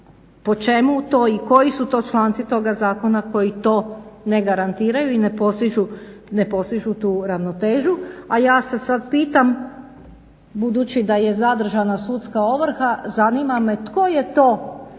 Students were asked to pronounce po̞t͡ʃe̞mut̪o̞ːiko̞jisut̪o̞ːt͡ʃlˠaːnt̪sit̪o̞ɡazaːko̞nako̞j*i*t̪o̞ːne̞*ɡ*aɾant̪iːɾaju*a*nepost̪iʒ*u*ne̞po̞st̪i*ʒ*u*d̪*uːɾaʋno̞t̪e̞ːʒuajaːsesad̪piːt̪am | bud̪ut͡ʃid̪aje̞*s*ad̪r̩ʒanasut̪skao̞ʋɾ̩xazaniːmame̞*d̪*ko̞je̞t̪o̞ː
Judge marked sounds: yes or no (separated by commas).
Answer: yes, yes, no, yes, yes, no, no, no